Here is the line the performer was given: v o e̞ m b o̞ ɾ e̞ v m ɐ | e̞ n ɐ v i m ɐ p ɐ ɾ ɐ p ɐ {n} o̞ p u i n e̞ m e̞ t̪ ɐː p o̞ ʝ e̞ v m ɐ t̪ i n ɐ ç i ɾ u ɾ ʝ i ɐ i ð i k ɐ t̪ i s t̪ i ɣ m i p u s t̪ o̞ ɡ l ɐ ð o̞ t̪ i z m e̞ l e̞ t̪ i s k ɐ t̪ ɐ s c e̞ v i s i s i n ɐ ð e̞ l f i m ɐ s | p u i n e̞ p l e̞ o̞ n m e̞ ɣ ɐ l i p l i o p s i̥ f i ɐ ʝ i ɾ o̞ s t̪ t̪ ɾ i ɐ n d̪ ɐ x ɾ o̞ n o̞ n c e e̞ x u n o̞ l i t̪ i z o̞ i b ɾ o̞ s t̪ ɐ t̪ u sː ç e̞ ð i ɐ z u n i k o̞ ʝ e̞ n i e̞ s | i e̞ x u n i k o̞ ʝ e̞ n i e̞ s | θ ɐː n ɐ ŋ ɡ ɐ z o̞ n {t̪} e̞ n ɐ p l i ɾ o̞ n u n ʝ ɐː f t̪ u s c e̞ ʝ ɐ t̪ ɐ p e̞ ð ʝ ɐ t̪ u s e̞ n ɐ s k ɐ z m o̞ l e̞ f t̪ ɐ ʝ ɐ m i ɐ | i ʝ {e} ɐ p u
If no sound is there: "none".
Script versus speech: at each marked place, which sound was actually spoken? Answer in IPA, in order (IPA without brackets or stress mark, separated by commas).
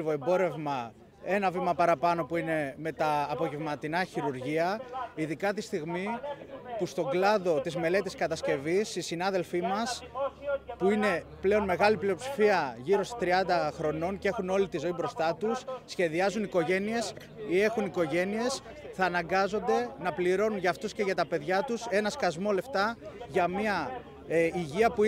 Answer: n, d̪, i